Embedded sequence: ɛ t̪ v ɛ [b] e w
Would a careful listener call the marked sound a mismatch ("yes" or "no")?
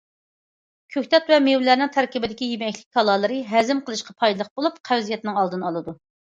yes